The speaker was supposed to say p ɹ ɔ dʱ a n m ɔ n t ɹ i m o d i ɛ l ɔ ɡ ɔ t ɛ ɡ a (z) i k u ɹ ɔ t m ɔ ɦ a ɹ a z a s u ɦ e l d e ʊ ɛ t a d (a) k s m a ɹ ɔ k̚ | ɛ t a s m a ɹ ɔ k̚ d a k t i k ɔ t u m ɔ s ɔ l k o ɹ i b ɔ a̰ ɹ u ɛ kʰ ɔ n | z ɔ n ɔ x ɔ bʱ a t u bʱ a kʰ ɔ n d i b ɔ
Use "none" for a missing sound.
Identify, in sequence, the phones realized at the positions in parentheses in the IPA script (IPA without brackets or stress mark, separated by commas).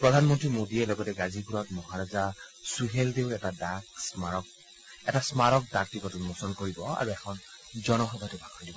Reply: z, a